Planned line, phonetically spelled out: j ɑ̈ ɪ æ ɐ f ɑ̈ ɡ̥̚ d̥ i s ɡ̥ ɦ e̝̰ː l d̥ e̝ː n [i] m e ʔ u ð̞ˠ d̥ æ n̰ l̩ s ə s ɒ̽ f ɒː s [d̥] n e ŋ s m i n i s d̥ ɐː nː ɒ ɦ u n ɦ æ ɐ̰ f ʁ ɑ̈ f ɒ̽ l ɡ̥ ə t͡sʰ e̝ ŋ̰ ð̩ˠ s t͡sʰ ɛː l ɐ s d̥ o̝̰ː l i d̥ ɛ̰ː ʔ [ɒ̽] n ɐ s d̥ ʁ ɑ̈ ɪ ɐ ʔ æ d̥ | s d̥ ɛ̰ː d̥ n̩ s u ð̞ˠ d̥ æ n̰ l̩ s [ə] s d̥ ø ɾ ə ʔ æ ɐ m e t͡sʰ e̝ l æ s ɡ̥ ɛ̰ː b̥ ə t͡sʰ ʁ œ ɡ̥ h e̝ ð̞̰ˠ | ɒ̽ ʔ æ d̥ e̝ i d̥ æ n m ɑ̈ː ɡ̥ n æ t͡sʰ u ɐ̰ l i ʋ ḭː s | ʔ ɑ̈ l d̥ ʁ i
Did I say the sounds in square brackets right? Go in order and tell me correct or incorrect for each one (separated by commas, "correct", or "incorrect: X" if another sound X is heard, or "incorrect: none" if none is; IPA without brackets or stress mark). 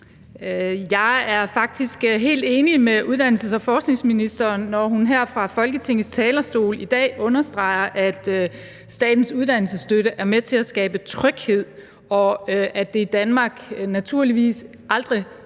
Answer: correct, incorrect: ɡ̥, incorrect: ɔ̽, correct